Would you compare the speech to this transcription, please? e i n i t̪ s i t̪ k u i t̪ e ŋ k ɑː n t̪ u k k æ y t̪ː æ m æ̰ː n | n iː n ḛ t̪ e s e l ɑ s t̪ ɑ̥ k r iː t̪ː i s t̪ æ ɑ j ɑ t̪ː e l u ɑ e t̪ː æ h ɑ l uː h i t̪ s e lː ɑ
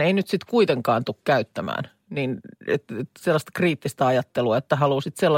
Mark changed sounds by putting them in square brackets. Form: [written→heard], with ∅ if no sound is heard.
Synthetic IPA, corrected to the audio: e i n [i→y] t̪ s i t̪ k u i t̪ e ŋ k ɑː n t̪ u k k æ y t̪ː æ m æ̰ː n | n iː n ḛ t̪ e s e [l→lː] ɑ s t̪ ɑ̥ k r iː t̪ː i s t̪ æ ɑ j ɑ t̪ː e l u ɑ e t̪ː æ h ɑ l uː [h→s] i t̪ s e lː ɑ